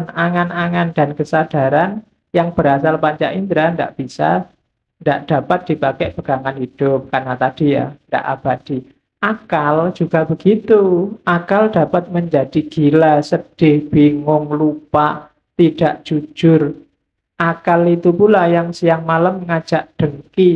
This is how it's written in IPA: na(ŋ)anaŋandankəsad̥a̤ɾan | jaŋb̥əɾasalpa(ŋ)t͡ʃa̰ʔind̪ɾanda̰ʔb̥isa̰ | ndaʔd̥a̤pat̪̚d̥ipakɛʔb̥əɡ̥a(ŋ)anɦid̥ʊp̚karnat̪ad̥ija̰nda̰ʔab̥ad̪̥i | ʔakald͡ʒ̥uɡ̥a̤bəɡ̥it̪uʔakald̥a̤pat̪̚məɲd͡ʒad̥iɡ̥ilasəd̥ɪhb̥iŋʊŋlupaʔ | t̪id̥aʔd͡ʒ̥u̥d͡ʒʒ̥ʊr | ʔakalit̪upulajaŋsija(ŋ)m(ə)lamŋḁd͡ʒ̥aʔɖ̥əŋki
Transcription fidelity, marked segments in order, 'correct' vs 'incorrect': correct, incorrect: ɲ, correct, correct, incorrect: a

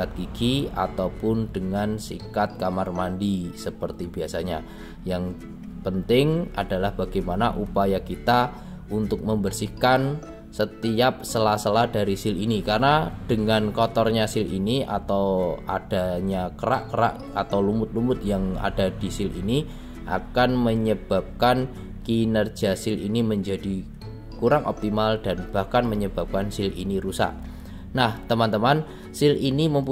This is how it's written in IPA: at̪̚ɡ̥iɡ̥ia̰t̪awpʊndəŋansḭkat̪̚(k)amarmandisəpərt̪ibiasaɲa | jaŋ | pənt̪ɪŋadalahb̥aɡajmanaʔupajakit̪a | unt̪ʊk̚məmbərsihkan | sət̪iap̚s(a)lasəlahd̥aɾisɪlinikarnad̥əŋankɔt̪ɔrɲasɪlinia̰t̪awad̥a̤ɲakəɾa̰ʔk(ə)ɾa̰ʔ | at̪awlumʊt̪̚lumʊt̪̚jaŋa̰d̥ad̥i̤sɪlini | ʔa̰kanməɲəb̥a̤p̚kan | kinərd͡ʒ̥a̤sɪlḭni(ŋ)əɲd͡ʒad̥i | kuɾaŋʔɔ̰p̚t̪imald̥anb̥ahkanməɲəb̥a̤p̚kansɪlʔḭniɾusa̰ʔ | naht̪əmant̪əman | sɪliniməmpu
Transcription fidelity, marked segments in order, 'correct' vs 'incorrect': correct, incorrect: ə, correct, incorrect: m

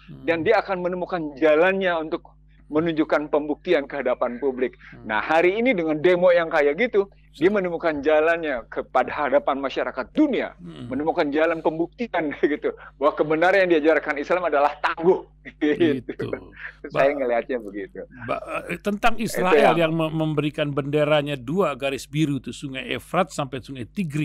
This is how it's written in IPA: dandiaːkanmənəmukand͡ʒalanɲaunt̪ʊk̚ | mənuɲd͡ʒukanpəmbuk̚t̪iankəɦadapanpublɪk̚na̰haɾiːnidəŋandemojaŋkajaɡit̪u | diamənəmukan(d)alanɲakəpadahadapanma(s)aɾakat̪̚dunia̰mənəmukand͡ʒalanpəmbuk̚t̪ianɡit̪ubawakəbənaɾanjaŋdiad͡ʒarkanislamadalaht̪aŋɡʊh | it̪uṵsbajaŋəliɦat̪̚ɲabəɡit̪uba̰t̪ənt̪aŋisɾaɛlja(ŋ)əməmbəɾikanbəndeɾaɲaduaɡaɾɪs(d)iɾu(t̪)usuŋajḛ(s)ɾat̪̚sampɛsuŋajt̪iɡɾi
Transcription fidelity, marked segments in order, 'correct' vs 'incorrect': incorrect: d͡ʒ, incorrect: ʃ, correct, incorrect: b, correct, incorrect: f

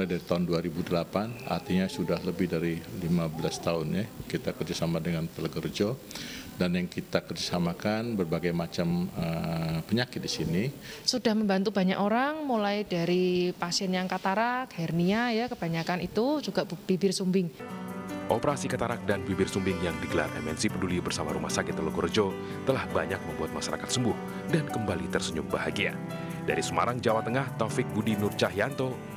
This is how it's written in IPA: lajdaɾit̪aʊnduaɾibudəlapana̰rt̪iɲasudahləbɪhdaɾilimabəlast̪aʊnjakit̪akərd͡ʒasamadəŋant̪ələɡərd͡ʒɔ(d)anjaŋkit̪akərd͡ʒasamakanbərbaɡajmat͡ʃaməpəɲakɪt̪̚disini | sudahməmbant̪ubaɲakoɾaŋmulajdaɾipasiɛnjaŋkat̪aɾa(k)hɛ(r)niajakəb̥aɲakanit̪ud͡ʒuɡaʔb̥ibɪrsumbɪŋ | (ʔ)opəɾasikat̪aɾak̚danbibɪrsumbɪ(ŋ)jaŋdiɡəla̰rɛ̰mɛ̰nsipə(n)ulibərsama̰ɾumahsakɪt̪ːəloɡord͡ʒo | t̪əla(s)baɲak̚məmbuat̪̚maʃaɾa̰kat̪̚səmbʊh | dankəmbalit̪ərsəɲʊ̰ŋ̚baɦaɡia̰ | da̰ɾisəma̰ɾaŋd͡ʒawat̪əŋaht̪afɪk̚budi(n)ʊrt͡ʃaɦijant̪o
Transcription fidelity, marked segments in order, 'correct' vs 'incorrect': correct, correct, correct, correct, correct, incorrect: d, incorrect: h, correct

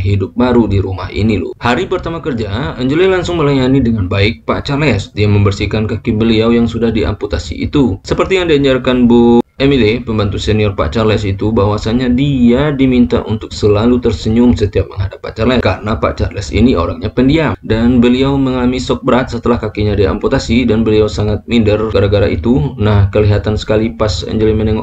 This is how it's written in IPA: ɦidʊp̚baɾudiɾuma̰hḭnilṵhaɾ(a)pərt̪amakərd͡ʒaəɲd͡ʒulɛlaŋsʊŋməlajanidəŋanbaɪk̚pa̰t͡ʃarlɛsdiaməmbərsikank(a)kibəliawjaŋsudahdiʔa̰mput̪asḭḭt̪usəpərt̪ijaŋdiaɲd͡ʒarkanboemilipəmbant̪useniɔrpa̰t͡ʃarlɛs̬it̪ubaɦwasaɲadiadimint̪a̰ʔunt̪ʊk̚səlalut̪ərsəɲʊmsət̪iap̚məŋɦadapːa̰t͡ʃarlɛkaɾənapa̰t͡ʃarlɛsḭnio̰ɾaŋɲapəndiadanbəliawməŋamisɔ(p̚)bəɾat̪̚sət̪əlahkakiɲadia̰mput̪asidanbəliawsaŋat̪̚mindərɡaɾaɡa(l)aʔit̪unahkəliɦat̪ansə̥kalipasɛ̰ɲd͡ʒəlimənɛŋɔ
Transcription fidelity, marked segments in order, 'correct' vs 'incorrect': incorrect: i, correct, incorrect: k̚, incorrect: ɾ

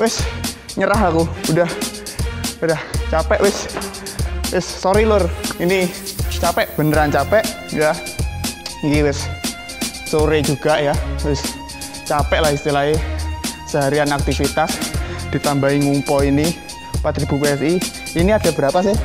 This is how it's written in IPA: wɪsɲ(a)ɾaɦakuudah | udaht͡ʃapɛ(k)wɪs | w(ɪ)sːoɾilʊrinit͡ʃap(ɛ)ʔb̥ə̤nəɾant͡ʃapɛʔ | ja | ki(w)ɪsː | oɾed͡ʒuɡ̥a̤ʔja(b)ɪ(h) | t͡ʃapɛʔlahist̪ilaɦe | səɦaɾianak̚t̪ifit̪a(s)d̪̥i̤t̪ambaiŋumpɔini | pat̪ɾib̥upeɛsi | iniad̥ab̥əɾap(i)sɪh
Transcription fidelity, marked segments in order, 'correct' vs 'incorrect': incorrect: ə, incorrect: ʔ, correct, correct, correct, incorrect: w, incorrect: s, correct, incorrect: a

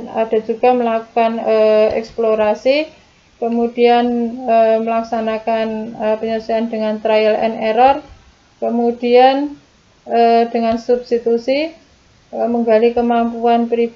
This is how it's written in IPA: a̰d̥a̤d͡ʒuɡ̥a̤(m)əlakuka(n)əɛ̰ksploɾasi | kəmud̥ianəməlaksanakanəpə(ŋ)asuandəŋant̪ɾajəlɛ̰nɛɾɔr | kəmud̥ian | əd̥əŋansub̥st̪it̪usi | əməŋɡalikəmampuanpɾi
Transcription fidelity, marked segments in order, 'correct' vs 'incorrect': correct, correct, incorrect: ɲ

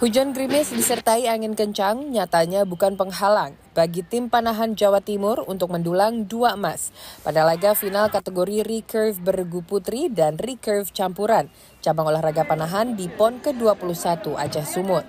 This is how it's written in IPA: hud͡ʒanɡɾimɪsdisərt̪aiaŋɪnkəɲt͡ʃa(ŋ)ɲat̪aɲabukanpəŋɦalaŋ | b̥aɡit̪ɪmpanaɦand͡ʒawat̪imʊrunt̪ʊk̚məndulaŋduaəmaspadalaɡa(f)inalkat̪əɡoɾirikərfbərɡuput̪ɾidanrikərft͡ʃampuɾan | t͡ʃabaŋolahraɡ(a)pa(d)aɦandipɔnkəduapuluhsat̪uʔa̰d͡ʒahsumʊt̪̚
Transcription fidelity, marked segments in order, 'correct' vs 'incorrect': correct, correct, correct, incorrect: n

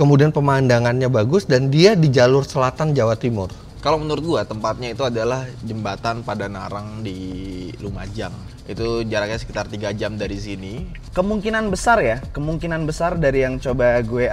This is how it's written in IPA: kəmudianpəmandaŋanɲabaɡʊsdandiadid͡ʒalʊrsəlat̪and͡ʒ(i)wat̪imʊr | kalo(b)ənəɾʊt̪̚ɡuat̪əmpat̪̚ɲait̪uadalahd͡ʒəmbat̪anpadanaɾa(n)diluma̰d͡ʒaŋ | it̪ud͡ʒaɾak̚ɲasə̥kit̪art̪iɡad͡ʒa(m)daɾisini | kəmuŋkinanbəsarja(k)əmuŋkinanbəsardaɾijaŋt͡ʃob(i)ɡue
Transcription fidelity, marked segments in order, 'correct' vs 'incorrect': incorrect: a, incorrect: m, incorrect: ŋ, correct, correct, incorrect: a

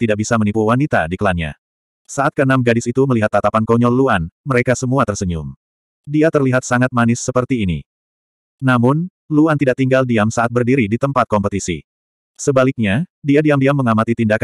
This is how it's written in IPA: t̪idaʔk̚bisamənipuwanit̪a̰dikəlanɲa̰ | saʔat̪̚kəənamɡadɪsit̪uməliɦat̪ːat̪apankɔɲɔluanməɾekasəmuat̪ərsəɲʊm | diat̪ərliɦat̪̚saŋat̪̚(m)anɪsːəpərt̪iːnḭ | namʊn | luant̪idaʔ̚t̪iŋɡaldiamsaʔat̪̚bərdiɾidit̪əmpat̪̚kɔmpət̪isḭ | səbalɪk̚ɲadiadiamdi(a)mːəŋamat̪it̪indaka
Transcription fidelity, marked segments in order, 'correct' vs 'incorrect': correct, correct

